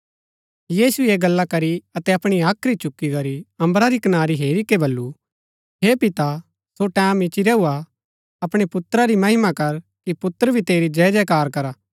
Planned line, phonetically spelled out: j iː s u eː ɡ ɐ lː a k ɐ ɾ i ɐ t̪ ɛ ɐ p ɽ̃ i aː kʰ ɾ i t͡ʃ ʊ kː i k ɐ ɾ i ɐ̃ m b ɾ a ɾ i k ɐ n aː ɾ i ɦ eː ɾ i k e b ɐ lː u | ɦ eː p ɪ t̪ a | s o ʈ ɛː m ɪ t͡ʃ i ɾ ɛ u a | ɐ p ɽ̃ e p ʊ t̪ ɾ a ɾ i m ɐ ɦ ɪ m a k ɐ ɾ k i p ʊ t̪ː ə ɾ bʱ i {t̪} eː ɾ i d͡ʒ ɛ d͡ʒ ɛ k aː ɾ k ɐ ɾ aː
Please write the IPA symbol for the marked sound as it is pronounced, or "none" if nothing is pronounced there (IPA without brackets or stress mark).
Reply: t̪